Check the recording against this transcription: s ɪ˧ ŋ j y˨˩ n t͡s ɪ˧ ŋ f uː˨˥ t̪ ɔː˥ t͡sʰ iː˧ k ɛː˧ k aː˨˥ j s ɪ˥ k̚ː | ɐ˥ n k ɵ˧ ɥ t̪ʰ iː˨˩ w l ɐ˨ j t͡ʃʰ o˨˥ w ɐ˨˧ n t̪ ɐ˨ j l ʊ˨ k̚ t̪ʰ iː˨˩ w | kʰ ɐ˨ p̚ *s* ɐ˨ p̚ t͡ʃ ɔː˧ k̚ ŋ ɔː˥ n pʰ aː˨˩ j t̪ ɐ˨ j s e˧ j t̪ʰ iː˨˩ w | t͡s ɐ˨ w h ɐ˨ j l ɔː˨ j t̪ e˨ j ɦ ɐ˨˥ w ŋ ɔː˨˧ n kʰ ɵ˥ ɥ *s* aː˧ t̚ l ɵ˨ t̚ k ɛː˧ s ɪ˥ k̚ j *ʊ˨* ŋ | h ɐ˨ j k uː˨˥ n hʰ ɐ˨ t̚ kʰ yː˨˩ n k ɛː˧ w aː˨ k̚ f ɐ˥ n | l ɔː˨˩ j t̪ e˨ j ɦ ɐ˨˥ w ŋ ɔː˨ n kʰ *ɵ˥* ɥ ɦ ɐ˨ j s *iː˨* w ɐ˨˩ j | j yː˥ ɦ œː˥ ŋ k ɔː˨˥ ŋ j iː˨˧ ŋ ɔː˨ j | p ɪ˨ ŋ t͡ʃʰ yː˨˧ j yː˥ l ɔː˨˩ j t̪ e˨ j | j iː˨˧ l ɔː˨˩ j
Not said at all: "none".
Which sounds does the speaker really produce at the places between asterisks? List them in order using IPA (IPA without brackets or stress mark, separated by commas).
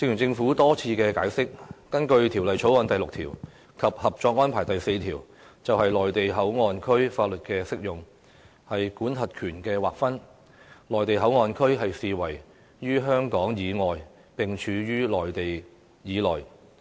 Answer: h, f, ʊ˨, ɵ˥, iː˨